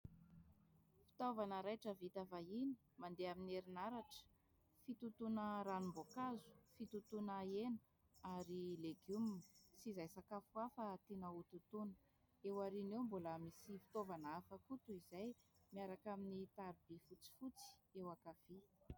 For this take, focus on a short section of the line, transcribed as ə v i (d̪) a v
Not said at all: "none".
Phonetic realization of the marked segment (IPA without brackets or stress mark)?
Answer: t̪